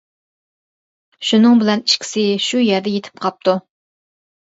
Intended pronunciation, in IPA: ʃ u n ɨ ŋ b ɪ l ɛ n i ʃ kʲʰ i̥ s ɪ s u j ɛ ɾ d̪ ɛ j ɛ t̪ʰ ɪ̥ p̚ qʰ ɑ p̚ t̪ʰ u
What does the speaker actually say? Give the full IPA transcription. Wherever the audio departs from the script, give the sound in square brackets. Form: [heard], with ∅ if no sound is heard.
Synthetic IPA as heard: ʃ u n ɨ ŋ b ɪ l ɛ n i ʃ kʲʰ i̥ s ɪ [ʃ] u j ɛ ɾ d̪ ɛ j [e] t̪ʰ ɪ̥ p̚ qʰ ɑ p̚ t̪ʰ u